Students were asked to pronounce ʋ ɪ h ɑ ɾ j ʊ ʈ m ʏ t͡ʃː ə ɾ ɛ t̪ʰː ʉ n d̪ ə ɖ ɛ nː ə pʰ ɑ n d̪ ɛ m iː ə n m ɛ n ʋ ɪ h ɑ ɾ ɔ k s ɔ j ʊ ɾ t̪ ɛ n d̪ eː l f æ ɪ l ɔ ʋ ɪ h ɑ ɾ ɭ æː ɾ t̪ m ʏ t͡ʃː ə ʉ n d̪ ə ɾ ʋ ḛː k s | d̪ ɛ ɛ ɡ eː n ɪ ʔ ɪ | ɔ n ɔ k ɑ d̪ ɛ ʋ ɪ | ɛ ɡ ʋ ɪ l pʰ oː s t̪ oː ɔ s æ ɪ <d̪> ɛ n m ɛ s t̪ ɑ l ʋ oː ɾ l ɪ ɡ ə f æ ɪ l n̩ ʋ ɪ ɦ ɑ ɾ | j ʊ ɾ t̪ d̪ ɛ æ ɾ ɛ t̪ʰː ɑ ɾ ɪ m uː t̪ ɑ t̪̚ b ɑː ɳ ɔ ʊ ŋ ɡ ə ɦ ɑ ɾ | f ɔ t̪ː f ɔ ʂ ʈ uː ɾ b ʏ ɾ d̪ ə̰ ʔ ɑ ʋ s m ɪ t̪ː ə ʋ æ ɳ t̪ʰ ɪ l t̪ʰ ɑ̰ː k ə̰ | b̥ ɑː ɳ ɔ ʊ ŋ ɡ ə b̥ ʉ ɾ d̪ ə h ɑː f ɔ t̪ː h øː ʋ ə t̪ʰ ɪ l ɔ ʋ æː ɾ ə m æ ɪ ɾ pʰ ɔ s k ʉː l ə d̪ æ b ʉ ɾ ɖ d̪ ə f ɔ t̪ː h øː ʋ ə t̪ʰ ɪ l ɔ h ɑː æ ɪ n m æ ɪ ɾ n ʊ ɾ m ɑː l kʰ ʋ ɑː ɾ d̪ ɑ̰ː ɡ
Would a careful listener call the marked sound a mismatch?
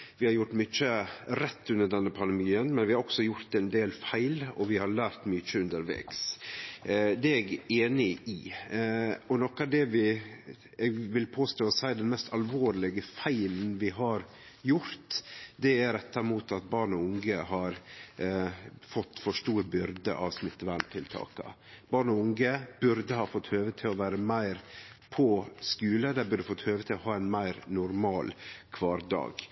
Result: no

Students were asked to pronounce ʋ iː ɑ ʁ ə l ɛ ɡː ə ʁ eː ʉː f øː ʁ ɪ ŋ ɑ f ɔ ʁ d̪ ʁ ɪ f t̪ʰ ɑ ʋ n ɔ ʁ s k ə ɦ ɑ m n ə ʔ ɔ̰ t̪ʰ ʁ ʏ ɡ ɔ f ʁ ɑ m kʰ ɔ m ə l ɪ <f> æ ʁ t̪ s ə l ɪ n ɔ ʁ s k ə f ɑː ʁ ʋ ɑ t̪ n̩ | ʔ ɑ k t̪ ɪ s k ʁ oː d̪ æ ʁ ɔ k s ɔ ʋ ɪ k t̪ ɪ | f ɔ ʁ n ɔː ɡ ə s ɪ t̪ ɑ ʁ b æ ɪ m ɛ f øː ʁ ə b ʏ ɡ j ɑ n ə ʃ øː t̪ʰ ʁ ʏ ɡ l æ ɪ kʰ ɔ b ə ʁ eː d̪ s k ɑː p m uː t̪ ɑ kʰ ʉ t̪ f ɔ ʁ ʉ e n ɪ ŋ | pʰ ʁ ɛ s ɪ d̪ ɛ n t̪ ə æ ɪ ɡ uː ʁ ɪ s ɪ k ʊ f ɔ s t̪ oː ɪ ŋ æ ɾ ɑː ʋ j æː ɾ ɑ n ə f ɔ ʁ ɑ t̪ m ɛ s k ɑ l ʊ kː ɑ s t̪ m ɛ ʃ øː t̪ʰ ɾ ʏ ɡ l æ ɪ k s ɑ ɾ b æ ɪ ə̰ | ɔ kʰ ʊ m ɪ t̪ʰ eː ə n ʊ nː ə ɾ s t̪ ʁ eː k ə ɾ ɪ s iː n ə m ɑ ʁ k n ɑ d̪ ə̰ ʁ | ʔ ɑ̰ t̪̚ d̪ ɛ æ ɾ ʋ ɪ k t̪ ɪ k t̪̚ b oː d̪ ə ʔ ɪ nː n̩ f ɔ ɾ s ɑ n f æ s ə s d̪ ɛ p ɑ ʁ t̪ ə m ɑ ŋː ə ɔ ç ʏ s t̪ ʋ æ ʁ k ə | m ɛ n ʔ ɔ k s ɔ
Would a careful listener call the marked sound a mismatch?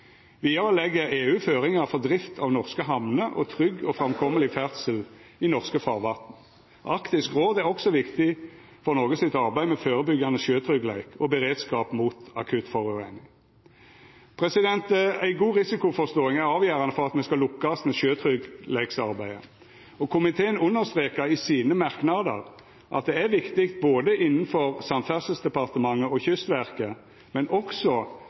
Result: no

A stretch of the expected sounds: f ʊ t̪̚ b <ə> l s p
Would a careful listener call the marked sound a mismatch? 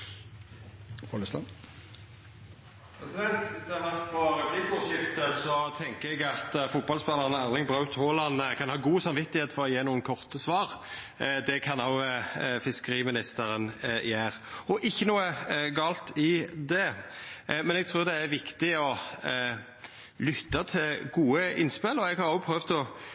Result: yes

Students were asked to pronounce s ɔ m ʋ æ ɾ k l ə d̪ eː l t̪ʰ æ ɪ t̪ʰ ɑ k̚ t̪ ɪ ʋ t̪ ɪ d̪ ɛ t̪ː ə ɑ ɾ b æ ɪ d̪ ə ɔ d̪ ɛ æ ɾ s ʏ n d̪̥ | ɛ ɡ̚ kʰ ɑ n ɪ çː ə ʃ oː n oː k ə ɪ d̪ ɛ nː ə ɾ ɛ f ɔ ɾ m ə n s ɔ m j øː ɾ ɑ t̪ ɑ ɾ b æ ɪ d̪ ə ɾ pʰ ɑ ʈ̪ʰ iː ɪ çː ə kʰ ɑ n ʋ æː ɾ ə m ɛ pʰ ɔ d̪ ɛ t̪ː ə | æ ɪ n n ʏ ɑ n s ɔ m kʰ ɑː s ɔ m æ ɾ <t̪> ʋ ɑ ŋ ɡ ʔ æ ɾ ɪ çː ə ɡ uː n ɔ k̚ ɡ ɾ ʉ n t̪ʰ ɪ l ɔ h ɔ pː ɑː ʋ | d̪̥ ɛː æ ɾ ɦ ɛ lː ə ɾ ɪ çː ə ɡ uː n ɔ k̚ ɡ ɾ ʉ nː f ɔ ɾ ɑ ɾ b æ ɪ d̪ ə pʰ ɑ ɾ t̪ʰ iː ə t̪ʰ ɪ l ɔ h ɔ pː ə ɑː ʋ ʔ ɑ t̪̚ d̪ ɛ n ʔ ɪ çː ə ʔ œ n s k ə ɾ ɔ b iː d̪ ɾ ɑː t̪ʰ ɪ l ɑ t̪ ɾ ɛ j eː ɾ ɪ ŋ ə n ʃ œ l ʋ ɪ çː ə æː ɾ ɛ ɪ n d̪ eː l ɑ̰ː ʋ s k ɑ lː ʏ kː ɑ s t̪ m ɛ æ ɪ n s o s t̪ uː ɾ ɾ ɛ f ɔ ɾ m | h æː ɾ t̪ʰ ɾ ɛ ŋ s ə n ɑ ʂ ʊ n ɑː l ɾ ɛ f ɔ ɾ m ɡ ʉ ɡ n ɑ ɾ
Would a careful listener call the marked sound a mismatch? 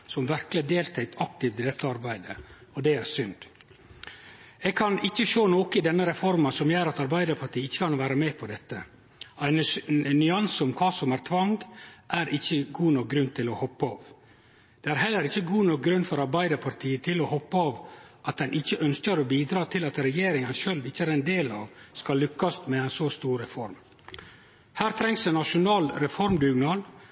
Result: yes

